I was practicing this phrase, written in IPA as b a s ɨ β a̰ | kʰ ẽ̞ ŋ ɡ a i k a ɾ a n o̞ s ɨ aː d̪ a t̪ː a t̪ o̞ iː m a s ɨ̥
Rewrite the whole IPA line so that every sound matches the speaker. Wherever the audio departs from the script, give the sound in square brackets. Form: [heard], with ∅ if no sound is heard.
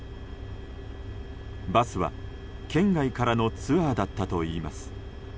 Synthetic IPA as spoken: b a s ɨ β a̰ | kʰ ẽ̞ ŋ ɡ a i k a ɾ a n o̞ [t͡s] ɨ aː d̪ a t̪ː a t̪ o̞ iː m a s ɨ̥